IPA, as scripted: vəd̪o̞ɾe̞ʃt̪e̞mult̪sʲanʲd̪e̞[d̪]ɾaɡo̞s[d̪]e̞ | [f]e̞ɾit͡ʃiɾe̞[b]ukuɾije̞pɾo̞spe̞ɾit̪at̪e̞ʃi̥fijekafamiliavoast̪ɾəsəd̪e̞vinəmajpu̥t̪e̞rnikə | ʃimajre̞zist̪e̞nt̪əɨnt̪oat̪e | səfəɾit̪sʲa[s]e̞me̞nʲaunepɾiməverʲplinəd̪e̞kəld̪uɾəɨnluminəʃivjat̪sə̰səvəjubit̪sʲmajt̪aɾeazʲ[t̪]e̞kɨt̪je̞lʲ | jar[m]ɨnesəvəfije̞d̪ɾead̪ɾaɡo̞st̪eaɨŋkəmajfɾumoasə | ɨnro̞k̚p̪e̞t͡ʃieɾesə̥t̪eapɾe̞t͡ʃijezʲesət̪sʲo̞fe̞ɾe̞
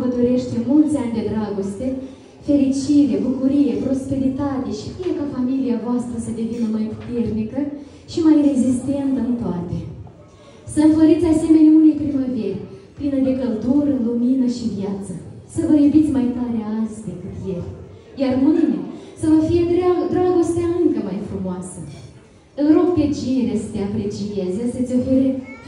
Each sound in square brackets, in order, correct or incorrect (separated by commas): correct, incorrect, correct, correct, correct, incorrect, correct